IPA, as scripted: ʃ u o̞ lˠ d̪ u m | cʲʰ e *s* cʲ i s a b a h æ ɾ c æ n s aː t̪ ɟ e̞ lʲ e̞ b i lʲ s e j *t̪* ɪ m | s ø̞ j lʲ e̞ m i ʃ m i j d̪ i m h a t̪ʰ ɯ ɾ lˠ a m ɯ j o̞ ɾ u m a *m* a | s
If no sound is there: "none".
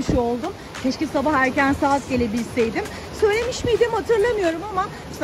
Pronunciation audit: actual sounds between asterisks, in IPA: ʃ, d̪, m

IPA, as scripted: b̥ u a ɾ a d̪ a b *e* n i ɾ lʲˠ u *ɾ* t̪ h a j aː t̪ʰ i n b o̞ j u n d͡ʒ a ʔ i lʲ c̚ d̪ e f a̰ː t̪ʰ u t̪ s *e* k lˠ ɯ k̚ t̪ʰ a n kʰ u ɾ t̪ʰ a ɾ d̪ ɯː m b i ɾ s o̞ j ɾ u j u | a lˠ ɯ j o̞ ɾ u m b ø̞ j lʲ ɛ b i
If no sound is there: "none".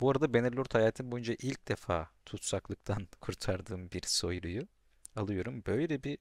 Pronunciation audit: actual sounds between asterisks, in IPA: e, ɾ, a

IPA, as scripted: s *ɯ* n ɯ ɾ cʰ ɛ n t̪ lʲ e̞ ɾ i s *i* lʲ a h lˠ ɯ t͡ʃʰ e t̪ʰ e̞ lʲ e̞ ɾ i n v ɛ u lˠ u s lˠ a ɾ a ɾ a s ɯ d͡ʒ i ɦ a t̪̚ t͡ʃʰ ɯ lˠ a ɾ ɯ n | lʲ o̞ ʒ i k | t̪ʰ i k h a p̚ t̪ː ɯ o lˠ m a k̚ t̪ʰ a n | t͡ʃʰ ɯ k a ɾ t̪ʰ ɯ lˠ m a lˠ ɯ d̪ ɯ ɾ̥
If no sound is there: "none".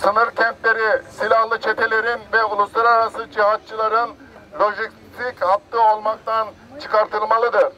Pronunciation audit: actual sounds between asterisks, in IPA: ɯ, i

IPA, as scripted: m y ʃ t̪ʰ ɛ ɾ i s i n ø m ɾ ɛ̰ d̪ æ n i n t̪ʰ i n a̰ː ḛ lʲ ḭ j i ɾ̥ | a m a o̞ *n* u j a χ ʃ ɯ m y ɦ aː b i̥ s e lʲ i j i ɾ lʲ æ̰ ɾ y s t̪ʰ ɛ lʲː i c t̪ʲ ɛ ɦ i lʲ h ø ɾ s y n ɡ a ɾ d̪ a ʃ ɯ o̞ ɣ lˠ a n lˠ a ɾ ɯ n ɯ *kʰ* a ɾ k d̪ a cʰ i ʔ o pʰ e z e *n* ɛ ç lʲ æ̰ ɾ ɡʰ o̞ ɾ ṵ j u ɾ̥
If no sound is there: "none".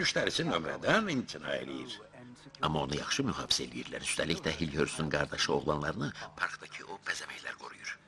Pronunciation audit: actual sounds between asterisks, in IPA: n, pʰ, m

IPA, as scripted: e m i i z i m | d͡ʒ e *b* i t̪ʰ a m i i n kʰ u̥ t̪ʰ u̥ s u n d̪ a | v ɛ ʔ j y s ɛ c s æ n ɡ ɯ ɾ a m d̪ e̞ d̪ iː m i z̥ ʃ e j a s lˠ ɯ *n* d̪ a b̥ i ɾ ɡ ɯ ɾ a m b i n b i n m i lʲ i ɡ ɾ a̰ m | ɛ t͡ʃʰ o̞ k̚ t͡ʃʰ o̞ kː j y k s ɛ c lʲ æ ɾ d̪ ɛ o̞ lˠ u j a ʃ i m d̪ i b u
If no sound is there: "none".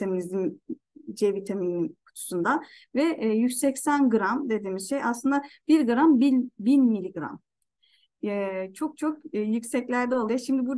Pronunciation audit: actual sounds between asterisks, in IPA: v, n

